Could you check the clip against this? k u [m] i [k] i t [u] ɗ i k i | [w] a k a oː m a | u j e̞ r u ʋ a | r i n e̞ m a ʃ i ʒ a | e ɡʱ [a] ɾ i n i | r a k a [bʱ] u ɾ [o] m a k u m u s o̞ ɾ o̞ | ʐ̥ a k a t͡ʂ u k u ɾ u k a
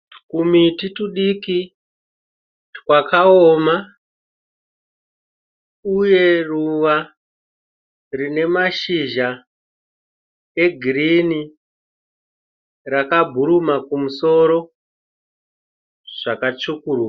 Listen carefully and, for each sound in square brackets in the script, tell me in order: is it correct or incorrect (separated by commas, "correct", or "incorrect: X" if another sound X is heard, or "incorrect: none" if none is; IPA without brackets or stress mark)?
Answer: correct, incorrect: t, correct, correct, incorrect: i, correct, incorrect: u